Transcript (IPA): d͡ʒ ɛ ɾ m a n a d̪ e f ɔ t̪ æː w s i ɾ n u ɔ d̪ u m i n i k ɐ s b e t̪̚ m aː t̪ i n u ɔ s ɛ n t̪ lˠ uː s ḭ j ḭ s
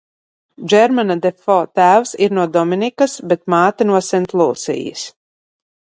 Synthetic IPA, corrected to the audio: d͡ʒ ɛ ɾ m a n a d̪ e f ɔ t̪ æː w s i ɾ n u ɔ d̪ ɔ m i n i k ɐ s b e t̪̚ m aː t̪ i n u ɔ s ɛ n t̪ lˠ uː s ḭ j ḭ s